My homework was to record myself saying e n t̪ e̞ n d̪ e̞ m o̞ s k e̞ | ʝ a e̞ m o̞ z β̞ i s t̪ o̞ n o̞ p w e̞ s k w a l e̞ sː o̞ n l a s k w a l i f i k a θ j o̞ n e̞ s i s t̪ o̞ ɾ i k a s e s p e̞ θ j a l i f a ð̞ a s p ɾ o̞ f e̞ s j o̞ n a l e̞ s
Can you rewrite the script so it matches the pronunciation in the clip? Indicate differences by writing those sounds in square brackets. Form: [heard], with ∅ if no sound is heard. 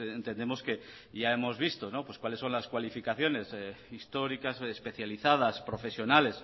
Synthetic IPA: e n t̪ e̞ n d̪ e̞ m o̞ s k e̞ | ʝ a e̞ m o̞ z β̞ i s t̪ o̞ n o̞ p w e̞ s k w a l e̞ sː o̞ n l a s k w a l i f i k a θ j o̞ n e̞ s i s t̪ o̞ ɾ i k a s e s p e̞ θ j a l i [θ] a ð̞ a s p ɾ o̞ f e̞ s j o̞ n a l e̞ s